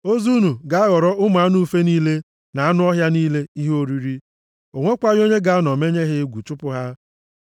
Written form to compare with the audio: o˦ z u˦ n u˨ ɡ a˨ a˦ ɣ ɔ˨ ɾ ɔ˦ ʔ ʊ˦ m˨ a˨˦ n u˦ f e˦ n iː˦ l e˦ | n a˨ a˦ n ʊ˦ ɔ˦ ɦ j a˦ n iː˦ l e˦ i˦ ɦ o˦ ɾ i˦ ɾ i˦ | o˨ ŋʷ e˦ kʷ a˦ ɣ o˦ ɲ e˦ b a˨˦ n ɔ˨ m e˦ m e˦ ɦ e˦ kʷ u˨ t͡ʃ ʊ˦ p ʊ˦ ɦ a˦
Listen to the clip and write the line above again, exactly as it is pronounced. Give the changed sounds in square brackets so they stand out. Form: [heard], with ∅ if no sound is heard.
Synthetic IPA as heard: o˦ z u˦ n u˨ ɡ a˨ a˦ ɣ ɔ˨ ɾ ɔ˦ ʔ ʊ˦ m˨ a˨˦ n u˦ f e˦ n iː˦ l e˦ | n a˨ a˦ n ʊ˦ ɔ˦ ɦ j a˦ n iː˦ l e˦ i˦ ɦ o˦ ɾ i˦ ɾ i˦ | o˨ ŋʷ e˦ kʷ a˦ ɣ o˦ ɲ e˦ [ɡ] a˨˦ n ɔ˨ m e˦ [ɲ] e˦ ɦ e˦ [ɡʷ] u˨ t͡ʃ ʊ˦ p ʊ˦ ɦ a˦